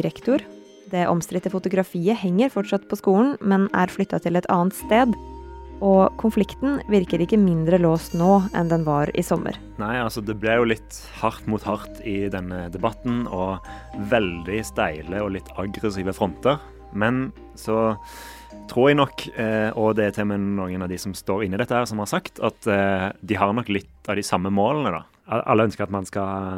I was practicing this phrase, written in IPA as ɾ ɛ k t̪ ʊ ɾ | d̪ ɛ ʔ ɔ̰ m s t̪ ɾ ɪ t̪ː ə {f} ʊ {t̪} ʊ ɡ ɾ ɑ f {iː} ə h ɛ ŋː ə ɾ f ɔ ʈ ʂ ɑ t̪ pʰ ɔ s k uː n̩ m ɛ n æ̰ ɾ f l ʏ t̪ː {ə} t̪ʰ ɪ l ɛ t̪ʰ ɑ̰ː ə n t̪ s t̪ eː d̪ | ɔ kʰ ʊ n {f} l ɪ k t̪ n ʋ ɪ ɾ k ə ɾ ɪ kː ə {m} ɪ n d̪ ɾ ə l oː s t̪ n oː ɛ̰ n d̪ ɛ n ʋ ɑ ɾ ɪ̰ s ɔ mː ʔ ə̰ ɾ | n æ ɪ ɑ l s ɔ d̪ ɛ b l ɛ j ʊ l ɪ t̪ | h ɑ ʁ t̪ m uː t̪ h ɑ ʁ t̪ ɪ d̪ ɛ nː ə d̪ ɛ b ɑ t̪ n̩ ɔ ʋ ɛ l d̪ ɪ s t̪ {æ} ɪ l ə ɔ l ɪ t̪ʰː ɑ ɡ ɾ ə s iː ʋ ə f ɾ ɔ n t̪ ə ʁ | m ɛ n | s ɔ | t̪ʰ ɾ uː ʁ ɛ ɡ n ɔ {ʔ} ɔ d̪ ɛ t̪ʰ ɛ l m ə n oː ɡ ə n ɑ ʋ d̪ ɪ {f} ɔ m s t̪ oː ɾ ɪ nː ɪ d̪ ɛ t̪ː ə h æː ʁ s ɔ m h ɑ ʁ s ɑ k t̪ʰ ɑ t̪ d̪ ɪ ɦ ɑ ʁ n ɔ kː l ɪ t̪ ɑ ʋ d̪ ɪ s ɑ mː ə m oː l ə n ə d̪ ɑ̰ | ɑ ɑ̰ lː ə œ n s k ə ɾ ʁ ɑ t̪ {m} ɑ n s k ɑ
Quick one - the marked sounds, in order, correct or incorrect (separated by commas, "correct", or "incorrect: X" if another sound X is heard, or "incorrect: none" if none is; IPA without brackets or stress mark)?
correct, correct, correct, incorrect: ɑ, correct, correct, correct, incorrect: k, incorrect: s, correct